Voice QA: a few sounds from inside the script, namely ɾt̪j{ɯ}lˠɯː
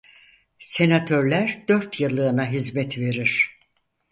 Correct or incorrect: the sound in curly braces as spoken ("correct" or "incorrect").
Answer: correct